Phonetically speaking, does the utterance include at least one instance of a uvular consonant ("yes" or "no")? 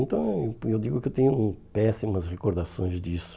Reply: yes